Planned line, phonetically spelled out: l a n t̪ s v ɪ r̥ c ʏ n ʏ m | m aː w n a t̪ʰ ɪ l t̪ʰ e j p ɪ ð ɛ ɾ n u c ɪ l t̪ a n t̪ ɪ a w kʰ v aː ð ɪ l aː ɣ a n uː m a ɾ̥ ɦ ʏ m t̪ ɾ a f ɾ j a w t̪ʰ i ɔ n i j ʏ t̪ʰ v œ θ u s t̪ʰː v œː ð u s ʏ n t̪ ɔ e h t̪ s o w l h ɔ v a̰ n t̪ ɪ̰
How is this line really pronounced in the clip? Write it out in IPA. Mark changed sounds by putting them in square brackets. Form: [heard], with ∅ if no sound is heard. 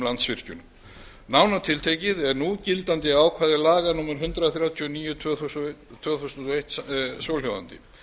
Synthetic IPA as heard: l a n t̪ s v ɪ r̥ c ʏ n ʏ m | [n] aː w n a t̪ʰ ɪ l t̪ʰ e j [c] ɪ ð ɛ ɾ n u c ɪ l t̪ a n t̪ ɪ a w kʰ v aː ð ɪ l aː ɣ a n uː m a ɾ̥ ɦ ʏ [n] t̪ ɾ a [θ] ɾ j a w t̪ʰ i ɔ n [iː] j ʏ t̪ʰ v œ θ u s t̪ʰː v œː [θ] u s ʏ n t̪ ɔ e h t̪ s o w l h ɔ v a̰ n t̪ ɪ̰